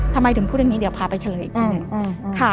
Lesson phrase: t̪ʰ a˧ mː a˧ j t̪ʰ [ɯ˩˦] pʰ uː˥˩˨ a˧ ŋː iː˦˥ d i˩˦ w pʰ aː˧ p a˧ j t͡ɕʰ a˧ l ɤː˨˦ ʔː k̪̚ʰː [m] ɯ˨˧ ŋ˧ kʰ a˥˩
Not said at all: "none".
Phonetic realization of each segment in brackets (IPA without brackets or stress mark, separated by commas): ɯ˩˦, n